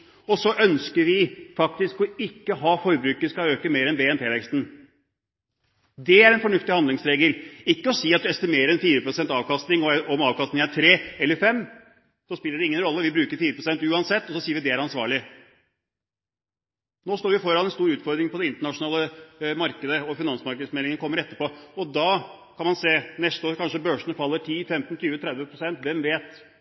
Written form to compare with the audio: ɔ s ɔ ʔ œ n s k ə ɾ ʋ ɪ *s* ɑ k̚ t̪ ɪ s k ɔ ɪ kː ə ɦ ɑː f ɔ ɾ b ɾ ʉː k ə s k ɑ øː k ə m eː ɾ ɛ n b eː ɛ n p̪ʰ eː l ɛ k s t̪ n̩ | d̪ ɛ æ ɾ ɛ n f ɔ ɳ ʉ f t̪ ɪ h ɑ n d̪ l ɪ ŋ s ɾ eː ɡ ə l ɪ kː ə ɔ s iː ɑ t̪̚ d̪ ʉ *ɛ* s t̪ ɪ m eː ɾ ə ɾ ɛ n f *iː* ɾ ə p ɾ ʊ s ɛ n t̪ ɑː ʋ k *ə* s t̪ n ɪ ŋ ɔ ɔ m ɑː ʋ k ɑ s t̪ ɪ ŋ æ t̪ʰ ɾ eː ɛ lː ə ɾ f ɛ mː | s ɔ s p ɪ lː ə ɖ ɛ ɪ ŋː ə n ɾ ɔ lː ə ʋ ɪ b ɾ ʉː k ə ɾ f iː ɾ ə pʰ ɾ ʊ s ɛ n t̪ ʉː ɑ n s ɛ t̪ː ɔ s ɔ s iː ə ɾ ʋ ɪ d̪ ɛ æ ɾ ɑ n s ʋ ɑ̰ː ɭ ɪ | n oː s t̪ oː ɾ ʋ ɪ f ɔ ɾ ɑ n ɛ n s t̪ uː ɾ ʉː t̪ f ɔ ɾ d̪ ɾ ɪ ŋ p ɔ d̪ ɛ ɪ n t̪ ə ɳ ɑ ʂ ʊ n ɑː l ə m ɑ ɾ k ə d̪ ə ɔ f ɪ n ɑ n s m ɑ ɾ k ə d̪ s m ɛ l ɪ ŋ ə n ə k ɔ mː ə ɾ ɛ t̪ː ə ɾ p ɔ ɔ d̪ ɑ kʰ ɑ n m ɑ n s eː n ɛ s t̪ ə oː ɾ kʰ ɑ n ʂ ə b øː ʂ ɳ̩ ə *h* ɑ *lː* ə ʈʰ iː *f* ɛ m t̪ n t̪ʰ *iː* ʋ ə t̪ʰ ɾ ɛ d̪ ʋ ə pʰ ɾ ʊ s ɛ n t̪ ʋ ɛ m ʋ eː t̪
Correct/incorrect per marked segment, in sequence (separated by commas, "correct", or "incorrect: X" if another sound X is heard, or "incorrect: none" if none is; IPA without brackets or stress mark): incorrect: f, correct, correct, incorrect: ɑ, incorrect: f, correct, correct, incorrect: yː